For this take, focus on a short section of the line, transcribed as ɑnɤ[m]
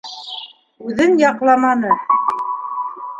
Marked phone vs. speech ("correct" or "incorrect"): incorrect